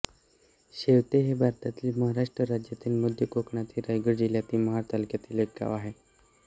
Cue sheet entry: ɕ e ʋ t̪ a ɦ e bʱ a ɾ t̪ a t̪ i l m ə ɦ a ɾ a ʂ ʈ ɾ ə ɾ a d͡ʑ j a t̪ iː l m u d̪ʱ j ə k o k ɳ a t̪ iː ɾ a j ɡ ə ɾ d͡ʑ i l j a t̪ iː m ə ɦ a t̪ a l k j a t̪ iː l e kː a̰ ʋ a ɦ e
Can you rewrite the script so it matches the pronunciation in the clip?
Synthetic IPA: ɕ e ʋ t̪ e ɦ e bʱ a ɾ t̪ a t̪ i l m ə ɦ a ɾ a ʂ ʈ ɾ ə ɾ a d͡ʑ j a t̪ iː l m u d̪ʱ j ə k o k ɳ a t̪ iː ɾ a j ɡ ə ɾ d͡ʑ i l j a t̪ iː m ə ɦ a t̪ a l k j a t̪ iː l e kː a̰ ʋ a ɦ e